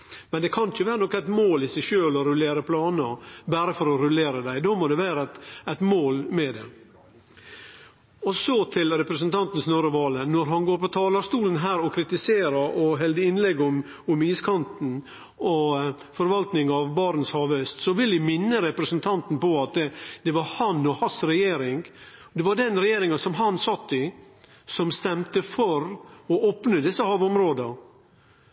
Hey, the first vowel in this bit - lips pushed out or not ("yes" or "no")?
no